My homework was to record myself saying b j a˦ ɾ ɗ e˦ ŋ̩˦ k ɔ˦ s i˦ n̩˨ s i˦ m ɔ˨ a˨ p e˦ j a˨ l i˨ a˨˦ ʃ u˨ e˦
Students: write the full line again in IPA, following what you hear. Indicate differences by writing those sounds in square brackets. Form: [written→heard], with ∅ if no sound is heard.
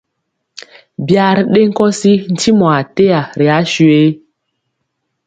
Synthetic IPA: b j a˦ ɾ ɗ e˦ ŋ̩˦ k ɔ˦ s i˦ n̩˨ [s→t] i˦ m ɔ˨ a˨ [p→t] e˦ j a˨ [l→ɾ] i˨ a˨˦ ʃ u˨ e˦